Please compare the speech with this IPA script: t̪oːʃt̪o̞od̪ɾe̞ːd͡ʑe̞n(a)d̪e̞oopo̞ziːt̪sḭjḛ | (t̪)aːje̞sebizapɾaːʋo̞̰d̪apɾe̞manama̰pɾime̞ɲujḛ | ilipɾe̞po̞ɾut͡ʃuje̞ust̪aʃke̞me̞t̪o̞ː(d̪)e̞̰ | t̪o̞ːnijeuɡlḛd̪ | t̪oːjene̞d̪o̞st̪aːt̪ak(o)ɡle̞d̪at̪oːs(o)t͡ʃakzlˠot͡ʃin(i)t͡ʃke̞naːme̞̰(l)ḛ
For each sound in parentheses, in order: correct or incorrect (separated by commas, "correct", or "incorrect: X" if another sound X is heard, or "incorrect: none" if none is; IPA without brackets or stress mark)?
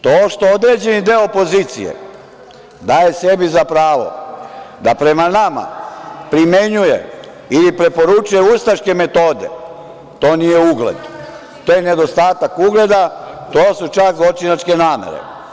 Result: incorrect: i, incorrect: d̪, correct, incorrect: u, incorrect: u, incorrect: a, incorrect: ɾ